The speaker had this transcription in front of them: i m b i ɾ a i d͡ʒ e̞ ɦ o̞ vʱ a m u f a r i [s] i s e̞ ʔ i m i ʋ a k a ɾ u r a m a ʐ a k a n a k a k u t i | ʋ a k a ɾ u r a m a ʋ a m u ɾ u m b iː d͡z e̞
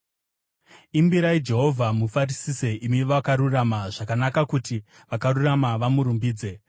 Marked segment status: correct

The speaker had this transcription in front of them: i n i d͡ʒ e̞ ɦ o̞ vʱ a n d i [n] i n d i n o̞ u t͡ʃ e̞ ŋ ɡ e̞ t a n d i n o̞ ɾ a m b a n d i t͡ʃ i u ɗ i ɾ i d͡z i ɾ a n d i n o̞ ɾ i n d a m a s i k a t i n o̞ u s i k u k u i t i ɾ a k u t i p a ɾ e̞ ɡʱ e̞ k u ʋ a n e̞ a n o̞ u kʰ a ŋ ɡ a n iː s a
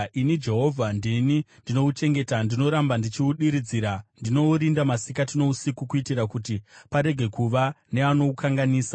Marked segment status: correct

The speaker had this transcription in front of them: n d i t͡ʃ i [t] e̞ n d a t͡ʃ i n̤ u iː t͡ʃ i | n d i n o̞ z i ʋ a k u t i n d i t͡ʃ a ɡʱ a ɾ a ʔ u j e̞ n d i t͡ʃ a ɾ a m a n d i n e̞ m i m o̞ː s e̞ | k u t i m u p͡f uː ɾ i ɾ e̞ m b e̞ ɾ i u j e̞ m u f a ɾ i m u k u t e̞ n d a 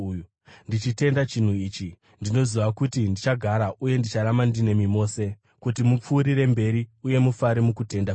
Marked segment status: correct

